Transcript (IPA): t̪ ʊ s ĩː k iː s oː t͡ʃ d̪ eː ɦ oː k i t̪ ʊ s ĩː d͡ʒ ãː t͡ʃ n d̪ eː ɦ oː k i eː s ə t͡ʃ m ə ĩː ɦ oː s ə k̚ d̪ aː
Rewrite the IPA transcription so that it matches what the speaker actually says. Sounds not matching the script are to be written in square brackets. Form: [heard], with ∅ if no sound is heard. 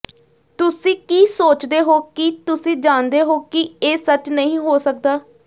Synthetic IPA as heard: t̪ ʊ s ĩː k iː s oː t͡ʃ d̪ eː ɦ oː k i t̪ ʊ s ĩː d͡ʒ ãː [∅] n d̪ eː ɦ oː k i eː s ə t͡ʃ [n] ə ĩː ɦ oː s ə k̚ d̪ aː